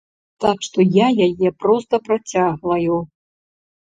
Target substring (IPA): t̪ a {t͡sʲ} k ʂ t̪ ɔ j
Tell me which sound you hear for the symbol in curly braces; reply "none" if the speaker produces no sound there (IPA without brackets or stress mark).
none